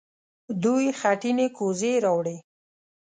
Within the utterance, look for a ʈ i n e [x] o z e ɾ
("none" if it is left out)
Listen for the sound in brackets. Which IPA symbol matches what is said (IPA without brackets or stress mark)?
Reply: k